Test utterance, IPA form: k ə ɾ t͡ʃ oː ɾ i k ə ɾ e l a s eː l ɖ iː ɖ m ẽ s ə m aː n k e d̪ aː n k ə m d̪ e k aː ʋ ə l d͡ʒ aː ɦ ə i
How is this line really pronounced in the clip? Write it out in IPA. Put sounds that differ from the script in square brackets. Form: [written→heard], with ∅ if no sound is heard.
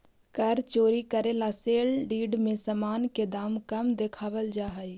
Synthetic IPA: k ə ɾ t͡ʃ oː ɾ i k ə ɾ e l a s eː l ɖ iː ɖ m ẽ s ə m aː n k e d̪ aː [n→m] k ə m d̪ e [k→kʰ] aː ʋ ə l d͡ʒ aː ɦ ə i